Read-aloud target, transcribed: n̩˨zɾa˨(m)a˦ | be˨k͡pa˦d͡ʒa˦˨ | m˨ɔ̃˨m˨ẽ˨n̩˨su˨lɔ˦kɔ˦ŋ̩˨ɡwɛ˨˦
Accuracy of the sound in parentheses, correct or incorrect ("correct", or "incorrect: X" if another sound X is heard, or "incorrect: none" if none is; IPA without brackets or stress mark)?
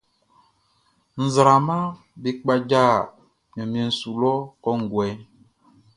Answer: correct